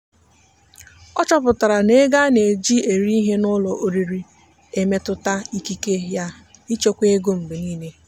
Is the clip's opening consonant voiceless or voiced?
voiceless